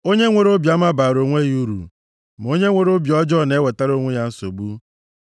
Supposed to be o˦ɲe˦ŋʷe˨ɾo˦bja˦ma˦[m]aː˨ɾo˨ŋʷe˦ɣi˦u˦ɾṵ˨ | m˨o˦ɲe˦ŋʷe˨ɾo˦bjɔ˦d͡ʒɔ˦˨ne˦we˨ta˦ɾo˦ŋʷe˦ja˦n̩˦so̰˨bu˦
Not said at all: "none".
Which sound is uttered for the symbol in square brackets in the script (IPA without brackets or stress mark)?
b